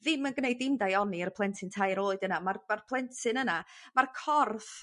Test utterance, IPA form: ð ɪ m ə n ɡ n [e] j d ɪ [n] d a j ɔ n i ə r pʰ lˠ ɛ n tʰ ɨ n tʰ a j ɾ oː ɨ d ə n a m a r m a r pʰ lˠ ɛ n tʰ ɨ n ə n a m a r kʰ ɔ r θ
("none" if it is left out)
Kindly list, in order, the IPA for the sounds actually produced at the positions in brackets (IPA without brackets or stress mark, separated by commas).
e, m